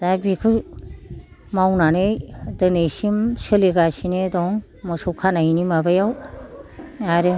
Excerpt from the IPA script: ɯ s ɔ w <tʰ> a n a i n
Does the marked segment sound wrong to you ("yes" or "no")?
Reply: yes